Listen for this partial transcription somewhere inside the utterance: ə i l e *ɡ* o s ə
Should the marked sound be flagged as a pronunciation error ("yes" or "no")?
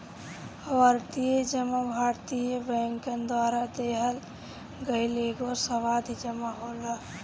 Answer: no